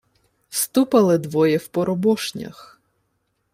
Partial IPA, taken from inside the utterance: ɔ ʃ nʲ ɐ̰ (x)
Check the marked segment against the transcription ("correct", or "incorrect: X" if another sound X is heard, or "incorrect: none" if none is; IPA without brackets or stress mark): correct